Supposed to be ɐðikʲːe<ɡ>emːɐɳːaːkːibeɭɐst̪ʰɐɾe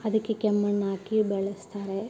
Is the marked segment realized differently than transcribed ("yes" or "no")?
yes